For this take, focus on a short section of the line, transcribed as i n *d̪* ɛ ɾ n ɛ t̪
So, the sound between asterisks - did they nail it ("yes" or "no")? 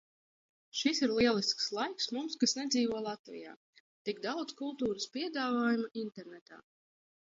no